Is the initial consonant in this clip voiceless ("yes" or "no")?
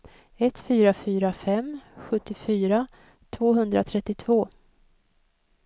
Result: yes